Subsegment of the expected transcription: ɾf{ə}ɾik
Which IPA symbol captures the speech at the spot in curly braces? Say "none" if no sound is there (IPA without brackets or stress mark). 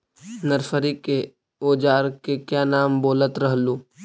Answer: ə